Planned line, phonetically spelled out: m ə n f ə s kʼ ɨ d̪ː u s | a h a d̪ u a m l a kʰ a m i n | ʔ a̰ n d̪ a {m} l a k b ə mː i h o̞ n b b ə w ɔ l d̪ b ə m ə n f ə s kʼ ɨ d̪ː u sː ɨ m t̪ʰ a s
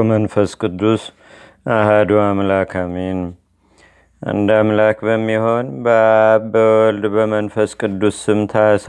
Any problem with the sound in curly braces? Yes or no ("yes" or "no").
no